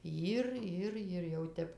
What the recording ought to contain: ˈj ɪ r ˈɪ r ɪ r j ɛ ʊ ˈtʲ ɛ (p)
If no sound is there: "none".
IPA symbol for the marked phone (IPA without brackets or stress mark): p